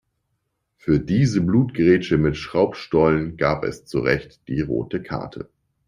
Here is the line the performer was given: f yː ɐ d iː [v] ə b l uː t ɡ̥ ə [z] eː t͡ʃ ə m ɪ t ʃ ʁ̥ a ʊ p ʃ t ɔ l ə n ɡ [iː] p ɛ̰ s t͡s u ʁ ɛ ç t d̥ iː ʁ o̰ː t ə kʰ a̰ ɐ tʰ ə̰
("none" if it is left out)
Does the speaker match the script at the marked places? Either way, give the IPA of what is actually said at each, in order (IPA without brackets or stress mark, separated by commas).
z, ʁ, aː